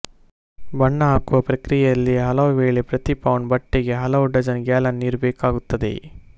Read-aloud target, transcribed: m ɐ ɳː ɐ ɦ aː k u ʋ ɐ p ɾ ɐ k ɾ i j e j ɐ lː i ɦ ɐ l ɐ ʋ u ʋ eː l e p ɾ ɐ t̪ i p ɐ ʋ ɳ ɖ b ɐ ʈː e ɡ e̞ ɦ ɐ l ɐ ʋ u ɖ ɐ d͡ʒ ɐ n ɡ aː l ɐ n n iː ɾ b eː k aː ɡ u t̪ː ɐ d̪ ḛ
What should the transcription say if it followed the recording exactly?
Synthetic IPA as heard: b ɐ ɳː ɐ ɦ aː k u ʋ ɐ p ɾ ɐ k ɾ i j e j ɐ lː i ɦ ɐ l ɐ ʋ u ʋ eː ɭ e p ɾ ɐ t̪ i p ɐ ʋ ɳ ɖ b ɐ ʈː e ɡ e̞ ɦ ɐ l ɐ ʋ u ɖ ɐ d͡ʒ ɐ n ɡ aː l ɐ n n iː ɾ b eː k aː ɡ u t̪ː ɐ d̪ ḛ